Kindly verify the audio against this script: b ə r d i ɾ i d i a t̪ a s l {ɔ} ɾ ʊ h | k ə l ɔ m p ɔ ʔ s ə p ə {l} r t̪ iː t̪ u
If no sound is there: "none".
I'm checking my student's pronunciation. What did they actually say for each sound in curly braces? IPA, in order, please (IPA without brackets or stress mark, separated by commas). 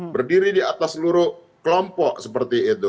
u, none